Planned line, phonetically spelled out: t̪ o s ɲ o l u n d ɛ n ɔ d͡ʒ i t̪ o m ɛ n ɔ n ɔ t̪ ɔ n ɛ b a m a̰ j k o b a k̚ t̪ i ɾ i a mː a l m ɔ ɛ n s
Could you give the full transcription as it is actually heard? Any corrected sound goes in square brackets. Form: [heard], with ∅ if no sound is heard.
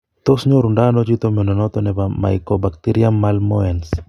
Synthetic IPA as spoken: t̪ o s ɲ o [ɾ] u n d [a] n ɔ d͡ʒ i t̪ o m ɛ n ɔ n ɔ t̪ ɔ n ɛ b a m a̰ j k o b a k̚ t̪ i ɾ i a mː a l m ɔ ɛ n s